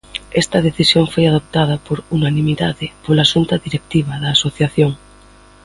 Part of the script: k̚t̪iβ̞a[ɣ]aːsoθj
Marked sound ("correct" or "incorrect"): incorrect